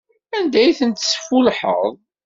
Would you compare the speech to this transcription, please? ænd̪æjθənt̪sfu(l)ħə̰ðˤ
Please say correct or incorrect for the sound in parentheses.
correct